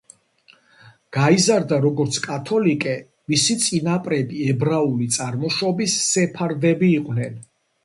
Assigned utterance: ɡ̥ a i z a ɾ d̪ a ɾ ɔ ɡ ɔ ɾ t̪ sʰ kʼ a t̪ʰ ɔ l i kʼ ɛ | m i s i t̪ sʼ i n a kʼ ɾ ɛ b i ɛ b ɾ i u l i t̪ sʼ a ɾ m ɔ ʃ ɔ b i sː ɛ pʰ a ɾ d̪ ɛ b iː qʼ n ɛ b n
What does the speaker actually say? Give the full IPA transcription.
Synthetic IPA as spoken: ɡ̥ a i z a ɾ d̪ a ɾ ɔ ɡ ɔ ɾ t̪ sʰ kʼ a t̪ʰ ɔ l i kʼ ɛ | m i s i t̪ sʼ i n a pʼ ɾ ɛ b i ɛ b ɾ a u l i t̪ sʼ a ɾ m ɔ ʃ ɔ b i sː ɛ pʰ a ɾ d̪ ɛ b iː qʼ n ɛ n